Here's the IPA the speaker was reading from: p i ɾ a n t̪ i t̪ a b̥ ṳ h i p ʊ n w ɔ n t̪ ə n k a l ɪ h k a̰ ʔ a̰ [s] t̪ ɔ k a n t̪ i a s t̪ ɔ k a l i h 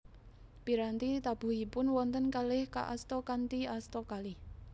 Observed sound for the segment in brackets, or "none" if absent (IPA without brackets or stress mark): s